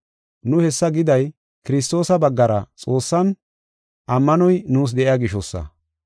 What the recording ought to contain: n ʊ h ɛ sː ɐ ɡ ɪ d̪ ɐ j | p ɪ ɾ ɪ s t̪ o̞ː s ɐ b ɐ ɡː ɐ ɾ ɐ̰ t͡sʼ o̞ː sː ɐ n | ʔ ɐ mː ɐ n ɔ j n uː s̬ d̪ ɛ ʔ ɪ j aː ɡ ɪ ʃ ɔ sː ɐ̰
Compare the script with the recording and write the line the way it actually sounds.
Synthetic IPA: n ʊ h ɛ sː ɐ ɡ ɪ d̪ ɐ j | k ɪ ɾ ɪ s t̪ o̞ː s ɐ b ɐ ɡː ɐ ɾ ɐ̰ t͡sʼ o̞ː sː ɐ n | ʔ ɐ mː ɐ n ɔ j n uː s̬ d̪ ɛ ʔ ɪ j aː ɡ ɪ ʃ ɔ sː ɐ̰